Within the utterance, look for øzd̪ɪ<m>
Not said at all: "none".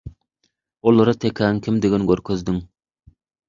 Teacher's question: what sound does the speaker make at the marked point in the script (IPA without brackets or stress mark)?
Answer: ŋ